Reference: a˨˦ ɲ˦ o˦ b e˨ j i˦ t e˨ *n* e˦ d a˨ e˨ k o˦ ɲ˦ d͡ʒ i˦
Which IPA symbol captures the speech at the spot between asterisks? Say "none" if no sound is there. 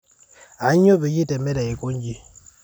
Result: m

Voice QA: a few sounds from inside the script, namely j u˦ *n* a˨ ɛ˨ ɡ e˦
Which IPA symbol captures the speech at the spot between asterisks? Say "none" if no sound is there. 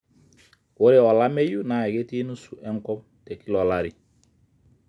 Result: n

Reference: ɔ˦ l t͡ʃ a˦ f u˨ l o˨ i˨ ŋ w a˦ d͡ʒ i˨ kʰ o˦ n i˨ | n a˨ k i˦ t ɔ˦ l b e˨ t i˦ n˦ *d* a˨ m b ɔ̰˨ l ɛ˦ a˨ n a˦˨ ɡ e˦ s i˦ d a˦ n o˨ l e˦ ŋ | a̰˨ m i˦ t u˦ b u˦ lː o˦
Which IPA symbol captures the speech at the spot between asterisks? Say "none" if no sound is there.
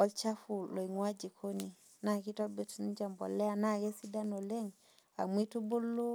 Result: d͡ʒ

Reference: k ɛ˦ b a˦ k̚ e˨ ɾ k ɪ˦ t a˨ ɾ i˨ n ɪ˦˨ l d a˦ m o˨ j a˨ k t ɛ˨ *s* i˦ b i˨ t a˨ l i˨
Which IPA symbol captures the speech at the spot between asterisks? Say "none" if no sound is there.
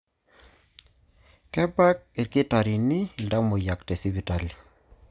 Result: s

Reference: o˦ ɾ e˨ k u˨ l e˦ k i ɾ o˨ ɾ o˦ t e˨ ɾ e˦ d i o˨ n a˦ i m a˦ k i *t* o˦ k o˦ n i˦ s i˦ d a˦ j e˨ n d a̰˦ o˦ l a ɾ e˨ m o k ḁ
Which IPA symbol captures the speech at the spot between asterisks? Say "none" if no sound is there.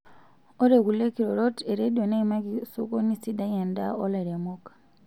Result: s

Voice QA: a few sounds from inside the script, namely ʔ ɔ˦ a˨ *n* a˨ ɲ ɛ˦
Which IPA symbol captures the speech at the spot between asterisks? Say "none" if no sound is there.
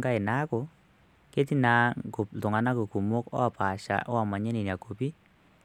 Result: m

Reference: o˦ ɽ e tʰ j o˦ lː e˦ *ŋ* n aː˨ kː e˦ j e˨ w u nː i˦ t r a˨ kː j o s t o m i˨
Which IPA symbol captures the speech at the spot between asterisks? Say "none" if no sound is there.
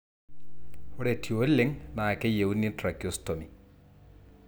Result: ŋ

